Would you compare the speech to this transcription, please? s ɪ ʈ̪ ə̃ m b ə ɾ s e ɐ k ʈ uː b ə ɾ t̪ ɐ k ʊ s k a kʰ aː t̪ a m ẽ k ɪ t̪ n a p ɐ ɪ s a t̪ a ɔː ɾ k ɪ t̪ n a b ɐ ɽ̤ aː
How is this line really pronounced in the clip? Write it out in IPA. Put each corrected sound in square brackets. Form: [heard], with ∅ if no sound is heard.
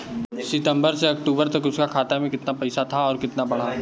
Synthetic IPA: s ɪ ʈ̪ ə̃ m b ə ɾ s e ɐ k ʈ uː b ə ɾ t̪ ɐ k ʊ s k a kʰ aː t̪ a m ẽ k ɪ t̪ n a p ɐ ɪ s a [t̪ʰ] a ɔː ɾ k ɪ t̪ n a b ɐ ɽ̤ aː